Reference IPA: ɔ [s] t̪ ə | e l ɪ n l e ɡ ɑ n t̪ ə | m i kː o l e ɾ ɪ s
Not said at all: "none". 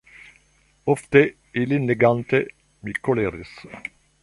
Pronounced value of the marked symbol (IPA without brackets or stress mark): f